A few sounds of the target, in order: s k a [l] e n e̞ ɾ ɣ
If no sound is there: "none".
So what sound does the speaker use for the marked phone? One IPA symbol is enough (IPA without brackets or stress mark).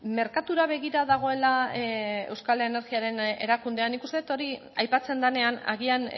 l